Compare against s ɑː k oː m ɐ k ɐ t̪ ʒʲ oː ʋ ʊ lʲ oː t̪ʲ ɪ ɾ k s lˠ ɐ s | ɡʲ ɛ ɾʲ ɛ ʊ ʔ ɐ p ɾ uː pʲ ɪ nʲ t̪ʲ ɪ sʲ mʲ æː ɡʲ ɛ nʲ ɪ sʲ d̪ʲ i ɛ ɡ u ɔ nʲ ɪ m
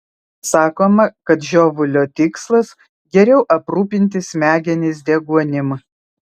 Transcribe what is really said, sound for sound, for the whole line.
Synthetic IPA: s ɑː k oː m ɐ k ɐ t̪ ʒʲ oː ʋ ʊ lʲ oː t̪ʲ ɪ k s lˠ ɐ s | ɡʲ ɛ ɾʲ ɛ ʊ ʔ ɐ p ɾ uː pʲ ɪ nʲ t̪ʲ ɪ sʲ mʲ æː ɡʲ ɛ nʲ ɪ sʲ d̪ʲ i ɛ ɡ u ɔ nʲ ɪ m